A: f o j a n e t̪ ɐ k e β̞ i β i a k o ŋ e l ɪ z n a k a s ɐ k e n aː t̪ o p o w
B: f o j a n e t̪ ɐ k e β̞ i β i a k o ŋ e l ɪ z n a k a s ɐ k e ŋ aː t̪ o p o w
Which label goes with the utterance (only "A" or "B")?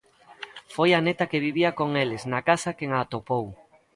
B